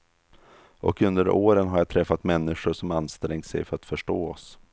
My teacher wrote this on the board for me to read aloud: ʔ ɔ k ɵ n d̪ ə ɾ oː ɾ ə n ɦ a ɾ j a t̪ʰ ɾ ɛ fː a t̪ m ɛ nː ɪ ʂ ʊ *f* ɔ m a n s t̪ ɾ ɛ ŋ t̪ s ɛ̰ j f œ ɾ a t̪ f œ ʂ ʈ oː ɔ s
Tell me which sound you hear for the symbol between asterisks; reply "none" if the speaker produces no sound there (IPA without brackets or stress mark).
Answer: ʂ